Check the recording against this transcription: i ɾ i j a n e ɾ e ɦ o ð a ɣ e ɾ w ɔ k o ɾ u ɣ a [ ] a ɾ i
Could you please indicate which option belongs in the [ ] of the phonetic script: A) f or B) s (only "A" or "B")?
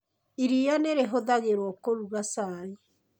B